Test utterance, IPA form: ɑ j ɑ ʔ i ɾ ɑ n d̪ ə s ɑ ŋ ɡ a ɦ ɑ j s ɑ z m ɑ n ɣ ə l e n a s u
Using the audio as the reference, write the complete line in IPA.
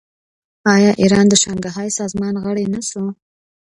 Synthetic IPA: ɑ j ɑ ʔ i ɾ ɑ n d̪ ə ʃ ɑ ŋ ɡ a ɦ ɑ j s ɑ z m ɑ n ɣ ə ɽ e n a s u